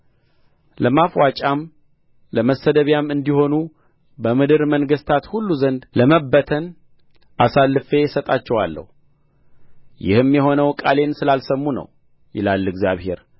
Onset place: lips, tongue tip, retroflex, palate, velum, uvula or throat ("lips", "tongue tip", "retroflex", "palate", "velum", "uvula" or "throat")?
tongue tip